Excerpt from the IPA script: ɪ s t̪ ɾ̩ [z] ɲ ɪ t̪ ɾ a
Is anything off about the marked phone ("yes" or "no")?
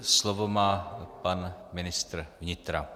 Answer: yes